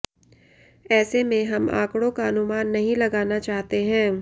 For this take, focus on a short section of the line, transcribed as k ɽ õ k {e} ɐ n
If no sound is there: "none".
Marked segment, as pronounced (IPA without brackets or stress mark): a